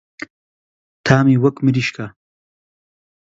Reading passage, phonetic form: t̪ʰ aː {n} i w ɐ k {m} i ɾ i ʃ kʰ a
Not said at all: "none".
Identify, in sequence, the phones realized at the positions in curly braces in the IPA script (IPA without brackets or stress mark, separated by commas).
m, m